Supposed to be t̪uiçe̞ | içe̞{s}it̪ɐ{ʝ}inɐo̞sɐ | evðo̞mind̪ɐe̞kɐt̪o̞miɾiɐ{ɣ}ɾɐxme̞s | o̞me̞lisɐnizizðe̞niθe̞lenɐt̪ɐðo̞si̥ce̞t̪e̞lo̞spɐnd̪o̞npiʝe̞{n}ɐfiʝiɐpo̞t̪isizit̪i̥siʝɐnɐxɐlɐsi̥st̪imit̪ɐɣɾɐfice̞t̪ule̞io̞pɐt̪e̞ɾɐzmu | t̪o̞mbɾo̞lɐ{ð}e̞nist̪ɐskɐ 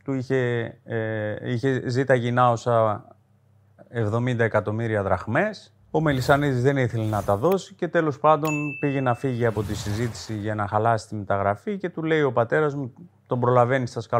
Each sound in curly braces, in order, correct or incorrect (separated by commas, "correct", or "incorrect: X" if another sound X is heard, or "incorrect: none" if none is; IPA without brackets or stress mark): incorrect: z, correct, incorrect: ð, correct, incorrect: v